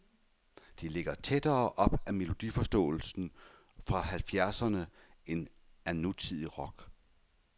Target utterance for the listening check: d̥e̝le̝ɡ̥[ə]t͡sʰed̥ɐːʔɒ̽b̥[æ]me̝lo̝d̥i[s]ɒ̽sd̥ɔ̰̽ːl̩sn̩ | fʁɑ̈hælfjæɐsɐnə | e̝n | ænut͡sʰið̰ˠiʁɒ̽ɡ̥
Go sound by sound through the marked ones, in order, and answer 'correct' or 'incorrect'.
incorrect: ɐ, correct, incorrect: f

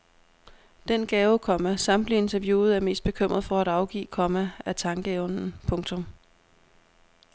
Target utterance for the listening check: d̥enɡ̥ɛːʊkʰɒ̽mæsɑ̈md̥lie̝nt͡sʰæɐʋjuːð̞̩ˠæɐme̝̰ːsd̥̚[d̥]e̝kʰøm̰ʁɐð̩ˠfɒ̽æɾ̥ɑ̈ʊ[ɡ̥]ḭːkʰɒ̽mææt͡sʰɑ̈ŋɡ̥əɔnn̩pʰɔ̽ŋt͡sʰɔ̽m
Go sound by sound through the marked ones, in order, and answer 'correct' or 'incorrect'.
incorrect: b̥, correct

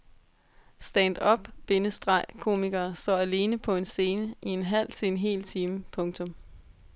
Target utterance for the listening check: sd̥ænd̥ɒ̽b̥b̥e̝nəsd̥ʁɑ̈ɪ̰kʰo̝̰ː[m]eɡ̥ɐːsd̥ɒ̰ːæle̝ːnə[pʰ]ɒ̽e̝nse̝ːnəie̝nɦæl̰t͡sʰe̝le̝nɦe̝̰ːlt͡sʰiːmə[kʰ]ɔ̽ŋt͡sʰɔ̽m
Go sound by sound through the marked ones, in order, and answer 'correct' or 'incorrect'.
correct, correct, incorrect: pʰ

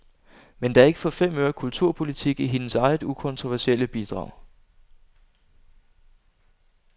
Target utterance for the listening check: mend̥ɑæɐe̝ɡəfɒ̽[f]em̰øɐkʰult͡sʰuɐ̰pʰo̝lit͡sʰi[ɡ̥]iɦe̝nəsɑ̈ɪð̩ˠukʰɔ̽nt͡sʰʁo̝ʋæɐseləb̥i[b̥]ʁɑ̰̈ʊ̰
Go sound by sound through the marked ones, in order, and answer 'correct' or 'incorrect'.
correct, correct, incorrect: d̥

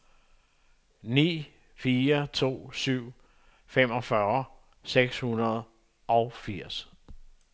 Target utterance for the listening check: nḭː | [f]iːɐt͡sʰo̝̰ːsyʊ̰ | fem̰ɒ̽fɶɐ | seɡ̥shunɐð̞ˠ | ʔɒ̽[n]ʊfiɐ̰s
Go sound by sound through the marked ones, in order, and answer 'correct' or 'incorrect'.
correct, incorrect: none

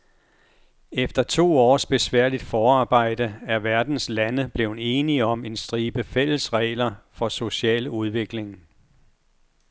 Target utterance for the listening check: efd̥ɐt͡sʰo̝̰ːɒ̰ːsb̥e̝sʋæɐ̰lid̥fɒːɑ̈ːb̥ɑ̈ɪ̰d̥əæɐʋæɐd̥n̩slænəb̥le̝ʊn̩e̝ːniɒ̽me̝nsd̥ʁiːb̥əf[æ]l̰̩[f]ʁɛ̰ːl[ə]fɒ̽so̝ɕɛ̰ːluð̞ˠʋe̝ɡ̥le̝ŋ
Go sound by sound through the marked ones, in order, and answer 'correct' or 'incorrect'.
incorrect: e, incorrect: s, incorrect: ɐ

